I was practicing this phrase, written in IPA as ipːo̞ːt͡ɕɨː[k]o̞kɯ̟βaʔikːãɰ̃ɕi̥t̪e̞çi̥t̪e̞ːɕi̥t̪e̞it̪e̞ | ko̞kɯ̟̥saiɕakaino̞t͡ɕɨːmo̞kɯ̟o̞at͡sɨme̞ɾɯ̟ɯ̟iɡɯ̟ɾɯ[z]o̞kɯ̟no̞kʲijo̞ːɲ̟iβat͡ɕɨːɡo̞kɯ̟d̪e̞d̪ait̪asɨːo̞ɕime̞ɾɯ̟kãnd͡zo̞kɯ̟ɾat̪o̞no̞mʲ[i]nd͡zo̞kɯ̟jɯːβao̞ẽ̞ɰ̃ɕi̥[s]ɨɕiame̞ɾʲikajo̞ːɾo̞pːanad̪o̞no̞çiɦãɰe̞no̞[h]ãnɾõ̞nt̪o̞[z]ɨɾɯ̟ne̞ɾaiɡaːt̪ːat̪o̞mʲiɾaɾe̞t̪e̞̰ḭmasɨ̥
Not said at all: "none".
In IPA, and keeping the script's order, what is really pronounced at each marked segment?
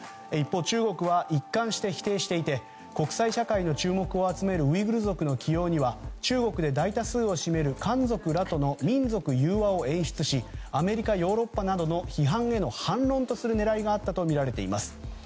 ɡ, z, ĩ, t͡s, h, s

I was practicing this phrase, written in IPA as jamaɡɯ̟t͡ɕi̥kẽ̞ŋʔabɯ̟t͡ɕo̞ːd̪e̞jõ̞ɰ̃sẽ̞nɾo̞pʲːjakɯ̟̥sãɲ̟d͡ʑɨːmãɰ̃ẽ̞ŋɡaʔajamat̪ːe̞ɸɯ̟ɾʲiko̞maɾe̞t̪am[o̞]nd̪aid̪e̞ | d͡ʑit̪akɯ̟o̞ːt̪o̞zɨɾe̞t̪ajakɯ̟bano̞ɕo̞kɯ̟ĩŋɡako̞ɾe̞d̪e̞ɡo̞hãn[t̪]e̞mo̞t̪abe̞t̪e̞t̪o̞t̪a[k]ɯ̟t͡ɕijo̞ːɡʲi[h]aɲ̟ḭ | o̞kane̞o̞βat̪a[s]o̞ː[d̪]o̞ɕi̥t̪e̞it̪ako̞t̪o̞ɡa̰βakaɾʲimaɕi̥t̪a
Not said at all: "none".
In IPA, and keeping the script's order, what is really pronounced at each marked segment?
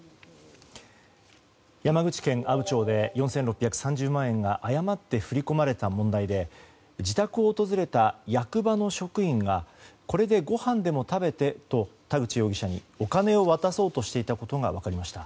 õ̞, d̪, ɡ, ɕ, s, t̪

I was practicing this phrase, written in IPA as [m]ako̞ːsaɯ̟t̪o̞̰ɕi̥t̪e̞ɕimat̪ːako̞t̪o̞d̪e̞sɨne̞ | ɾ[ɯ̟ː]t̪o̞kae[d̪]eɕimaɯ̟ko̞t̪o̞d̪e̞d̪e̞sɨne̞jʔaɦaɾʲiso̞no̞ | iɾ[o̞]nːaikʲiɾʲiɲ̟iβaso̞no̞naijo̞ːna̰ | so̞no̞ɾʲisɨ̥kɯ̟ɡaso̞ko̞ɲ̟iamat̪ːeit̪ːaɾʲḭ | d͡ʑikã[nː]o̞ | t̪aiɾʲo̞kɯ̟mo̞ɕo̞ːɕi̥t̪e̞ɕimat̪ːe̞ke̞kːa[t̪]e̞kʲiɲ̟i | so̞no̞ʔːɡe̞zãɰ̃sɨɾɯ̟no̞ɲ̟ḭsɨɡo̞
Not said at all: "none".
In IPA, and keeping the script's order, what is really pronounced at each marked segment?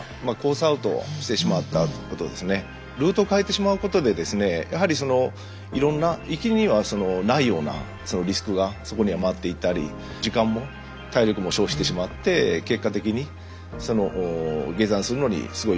m, ɯ̟ː, t̪, õ̞, mː, t̪

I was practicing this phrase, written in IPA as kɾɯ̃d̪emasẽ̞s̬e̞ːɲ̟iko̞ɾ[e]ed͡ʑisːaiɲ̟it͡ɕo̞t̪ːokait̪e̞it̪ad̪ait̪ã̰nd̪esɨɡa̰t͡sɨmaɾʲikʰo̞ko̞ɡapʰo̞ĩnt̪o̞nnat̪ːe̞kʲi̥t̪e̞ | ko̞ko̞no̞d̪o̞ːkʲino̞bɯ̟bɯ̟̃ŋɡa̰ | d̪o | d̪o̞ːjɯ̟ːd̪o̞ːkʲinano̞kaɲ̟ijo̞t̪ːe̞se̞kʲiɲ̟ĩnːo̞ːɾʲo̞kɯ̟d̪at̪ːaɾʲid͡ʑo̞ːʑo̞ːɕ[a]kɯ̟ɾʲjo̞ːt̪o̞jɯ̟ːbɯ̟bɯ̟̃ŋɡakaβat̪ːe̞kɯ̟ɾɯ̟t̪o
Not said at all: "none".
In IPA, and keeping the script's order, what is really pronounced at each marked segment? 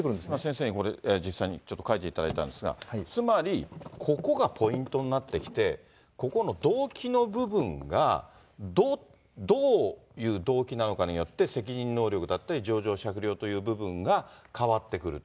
e, a

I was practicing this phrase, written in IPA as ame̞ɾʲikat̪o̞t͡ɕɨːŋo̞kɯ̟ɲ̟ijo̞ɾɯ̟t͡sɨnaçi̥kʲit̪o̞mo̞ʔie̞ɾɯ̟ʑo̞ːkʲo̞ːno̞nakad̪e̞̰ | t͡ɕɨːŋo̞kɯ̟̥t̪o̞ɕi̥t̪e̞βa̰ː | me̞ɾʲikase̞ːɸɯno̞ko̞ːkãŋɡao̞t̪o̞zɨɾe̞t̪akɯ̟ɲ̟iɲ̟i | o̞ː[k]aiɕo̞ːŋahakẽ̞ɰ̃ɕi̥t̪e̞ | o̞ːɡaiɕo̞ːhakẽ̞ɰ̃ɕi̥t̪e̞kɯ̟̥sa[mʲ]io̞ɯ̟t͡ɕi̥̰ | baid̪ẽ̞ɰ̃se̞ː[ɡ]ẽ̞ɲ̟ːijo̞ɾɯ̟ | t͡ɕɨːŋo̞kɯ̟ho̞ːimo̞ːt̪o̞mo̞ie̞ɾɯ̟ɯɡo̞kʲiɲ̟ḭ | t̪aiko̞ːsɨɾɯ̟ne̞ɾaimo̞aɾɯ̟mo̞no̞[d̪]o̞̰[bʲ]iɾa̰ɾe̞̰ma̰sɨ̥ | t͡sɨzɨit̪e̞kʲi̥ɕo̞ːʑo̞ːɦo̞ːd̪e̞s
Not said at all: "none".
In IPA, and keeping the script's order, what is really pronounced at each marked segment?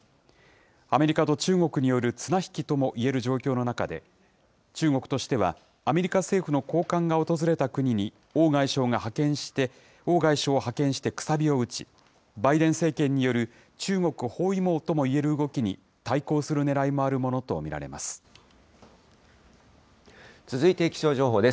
ɡ, bʲ, k, t̪, mʲ

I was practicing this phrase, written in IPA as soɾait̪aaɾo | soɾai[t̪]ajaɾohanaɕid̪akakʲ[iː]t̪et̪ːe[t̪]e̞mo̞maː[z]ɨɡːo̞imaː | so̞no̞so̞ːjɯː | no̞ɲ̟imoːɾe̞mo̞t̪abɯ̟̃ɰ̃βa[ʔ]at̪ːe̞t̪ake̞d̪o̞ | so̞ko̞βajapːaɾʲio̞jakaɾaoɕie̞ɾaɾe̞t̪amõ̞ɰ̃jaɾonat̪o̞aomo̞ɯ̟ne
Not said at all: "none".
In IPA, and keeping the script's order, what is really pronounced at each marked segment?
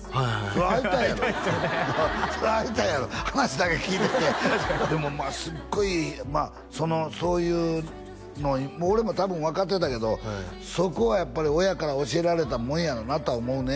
t̪, iː, d̪, s, k

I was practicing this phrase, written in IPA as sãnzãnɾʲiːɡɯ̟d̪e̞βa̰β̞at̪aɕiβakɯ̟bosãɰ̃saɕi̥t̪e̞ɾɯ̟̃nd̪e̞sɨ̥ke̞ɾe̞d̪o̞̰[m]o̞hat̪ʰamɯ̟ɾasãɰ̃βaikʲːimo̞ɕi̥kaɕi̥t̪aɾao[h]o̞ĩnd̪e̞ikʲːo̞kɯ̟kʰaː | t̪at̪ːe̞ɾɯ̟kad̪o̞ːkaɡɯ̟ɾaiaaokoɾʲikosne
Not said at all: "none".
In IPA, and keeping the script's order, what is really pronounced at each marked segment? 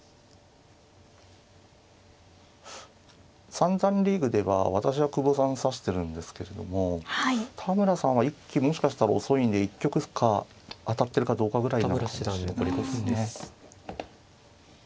m, s

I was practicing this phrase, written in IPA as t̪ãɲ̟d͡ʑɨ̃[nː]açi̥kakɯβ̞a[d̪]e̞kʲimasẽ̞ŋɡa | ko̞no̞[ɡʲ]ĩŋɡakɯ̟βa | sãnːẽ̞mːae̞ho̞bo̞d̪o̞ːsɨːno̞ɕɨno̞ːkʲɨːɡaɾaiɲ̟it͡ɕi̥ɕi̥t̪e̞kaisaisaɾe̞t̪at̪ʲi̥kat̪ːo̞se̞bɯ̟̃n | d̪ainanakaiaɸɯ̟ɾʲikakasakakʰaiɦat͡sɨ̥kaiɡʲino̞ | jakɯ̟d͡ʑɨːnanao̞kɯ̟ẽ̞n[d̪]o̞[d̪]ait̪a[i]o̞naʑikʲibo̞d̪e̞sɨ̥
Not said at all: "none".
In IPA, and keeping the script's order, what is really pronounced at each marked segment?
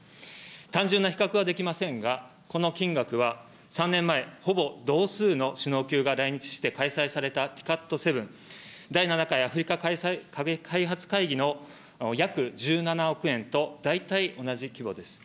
nː, d̪, kʲ, t̪, d̪, i

